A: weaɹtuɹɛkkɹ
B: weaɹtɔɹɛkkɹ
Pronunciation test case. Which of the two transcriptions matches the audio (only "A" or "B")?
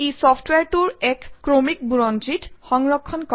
A